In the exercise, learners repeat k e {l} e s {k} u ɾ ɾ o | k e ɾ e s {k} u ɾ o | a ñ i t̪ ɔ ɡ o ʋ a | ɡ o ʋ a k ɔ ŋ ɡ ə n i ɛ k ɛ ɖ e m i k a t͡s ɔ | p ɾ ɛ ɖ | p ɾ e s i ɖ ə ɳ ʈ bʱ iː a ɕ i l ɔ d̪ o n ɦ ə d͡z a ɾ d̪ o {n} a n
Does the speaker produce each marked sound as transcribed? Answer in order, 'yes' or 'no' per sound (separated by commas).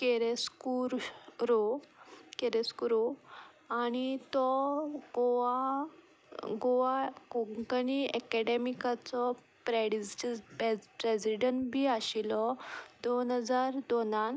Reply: no, yes, yes, yes